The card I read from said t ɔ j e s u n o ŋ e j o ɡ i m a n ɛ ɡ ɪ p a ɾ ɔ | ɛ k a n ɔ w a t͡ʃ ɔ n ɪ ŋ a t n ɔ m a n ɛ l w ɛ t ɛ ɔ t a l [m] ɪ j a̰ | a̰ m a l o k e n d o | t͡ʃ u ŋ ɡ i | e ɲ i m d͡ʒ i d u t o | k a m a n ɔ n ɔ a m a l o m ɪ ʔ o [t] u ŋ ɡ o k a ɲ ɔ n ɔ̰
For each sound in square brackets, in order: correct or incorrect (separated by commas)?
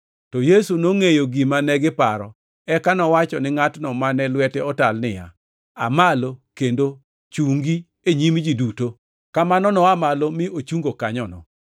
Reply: incorrect, incorrect